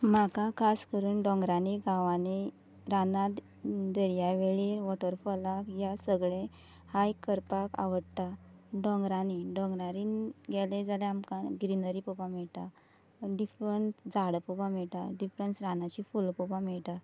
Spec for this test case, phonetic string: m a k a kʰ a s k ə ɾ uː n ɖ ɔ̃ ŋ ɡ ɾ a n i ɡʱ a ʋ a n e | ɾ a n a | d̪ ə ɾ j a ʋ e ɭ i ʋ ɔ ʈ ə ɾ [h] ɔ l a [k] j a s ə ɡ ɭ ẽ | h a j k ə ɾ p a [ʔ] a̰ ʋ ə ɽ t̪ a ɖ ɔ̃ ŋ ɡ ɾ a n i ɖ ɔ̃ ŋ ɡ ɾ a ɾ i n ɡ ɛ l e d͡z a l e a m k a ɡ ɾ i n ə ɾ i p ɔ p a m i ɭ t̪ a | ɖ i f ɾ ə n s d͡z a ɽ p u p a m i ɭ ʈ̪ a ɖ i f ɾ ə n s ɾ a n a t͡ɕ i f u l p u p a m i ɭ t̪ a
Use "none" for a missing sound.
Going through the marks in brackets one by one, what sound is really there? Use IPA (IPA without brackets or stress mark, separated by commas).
f, k, k